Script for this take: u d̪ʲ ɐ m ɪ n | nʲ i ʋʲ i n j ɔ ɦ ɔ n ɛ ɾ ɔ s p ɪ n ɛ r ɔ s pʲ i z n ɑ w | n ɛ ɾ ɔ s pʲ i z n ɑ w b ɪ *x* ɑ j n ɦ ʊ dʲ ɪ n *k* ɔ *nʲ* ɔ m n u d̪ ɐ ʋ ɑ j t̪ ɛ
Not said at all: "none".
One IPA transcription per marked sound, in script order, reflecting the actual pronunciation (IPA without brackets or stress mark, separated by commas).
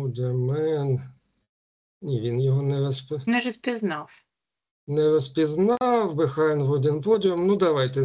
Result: x, p, dʲ